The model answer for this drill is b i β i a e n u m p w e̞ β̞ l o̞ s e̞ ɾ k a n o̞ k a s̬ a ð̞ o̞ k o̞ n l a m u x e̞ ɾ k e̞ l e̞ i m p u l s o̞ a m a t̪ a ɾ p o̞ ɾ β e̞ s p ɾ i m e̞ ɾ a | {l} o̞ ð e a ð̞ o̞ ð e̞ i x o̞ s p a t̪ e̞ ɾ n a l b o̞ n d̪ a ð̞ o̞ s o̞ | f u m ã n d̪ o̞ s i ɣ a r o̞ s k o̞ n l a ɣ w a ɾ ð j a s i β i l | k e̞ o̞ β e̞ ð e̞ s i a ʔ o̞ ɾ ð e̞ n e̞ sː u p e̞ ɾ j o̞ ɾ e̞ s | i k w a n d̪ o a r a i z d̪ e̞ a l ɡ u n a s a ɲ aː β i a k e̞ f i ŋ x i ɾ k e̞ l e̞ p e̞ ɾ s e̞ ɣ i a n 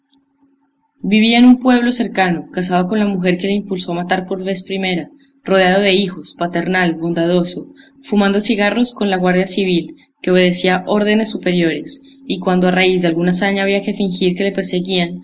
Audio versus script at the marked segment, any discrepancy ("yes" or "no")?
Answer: yes